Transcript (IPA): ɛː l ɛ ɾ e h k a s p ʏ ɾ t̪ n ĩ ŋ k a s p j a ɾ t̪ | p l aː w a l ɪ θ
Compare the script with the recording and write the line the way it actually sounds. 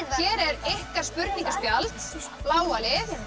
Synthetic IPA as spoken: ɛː ɾ ɛ ɾ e h k a s p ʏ ɾ t̪ n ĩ ŋ k a s p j a l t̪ | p l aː w a l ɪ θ